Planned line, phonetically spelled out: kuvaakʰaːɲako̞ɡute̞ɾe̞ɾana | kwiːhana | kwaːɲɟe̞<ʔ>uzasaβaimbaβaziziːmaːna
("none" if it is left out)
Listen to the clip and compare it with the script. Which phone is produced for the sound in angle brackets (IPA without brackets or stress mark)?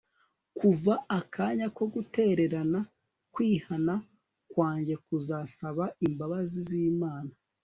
k